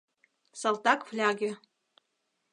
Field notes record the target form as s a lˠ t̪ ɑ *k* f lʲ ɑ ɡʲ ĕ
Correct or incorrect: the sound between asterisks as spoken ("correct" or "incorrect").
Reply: correct